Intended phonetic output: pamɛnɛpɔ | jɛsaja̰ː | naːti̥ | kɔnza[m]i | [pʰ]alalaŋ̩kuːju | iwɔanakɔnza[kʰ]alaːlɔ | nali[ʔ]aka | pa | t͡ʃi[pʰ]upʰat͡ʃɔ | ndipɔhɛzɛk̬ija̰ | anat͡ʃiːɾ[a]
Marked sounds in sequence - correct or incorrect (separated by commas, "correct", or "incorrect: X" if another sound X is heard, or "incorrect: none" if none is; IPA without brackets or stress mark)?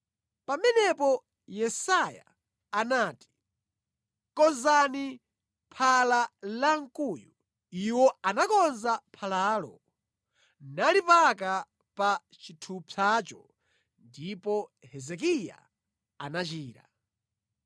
incorrect: n, correct, incorrect: pʰ, incorrect: p, incorrect: tʰ, correct